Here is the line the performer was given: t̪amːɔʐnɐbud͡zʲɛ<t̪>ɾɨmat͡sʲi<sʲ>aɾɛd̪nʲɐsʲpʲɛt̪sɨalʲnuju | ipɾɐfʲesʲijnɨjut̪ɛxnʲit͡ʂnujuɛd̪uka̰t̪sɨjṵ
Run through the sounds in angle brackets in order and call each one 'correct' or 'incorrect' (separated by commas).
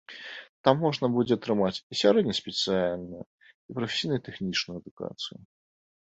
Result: correct, correct